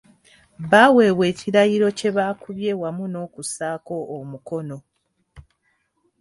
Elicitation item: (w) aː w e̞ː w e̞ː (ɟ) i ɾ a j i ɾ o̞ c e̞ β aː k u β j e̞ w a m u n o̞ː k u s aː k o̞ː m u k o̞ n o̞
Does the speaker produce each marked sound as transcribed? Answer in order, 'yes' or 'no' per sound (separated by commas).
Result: no, no